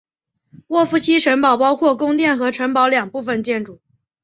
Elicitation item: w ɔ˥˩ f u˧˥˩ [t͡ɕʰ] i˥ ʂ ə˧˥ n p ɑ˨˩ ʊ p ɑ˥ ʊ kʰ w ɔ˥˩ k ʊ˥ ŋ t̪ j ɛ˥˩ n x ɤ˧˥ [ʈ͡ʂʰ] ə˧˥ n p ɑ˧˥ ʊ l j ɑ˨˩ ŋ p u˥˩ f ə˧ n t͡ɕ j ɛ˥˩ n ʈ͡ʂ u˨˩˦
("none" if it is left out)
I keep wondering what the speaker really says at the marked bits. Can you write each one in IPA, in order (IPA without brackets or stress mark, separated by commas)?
t͡ɕʰ, ʈ͡ʂʰ